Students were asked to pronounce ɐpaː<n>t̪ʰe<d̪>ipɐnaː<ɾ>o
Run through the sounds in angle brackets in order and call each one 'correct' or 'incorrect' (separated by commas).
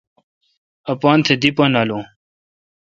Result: correct, correct, incorrect